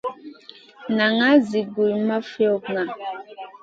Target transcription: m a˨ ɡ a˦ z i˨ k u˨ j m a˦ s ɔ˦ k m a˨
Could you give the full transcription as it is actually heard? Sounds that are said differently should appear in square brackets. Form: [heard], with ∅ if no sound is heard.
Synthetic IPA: [n] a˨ [ŋ] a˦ z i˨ [ɡ] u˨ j m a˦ [f] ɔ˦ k [ŋ] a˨